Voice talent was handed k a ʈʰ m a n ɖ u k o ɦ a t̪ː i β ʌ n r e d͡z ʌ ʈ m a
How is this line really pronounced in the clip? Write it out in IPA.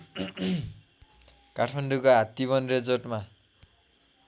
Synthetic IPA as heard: k a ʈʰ m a n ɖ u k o ɦ a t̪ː i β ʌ n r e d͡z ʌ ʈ m a